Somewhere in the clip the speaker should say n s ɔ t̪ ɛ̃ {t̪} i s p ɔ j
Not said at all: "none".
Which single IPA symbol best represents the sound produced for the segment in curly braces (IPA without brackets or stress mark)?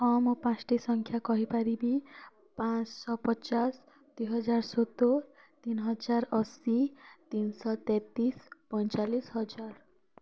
t̪